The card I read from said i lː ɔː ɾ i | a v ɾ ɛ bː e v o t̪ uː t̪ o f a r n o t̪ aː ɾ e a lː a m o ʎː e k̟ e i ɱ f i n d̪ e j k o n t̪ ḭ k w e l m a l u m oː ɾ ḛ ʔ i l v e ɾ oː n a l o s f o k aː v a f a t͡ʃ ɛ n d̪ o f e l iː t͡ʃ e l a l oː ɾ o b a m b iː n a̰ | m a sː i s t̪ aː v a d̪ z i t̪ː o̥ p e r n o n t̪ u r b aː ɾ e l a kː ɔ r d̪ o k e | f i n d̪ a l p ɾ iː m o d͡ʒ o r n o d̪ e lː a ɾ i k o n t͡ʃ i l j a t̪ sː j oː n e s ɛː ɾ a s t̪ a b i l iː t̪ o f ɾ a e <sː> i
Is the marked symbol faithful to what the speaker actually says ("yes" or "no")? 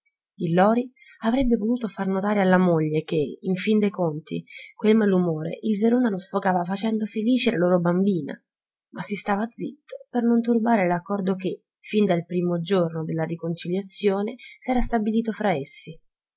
yes